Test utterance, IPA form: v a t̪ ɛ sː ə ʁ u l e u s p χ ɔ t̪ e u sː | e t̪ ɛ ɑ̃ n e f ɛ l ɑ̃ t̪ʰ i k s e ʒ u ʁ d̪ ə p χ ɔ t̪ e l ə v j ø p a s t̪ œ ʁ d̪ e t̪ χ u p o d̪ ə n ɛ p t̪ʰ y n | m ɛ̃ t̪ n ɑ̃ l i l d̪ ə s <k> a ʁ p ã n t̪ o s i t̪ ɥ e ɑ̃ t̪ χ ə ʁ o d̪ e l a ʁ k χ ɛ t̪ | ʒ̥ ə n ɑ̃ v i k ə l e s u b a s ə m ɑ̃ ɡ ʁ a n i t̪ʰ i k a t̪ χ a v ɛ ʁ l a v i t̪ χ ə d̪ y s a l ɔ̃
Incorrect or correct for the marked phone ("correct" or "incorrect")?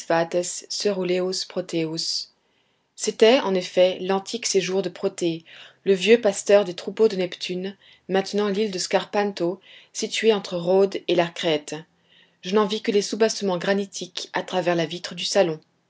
correct